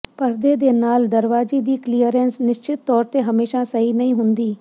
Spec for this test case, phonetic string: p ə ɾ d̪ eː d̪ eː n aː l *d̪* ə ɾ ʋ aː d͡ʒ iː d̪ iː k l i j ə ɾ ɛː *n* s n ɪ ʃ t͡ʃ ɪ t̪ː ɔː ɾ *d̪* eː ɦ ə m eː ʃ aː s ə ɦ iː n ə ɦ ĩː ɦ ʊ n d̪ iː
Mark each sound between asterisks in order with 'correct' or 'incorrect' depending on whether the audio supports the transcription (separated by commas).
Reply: correct, correct, incorrect